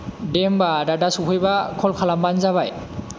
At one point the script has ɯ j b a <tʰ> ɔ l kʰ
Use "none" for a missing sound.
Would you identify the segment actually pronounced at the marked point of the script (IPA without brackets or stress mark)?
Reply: kʰ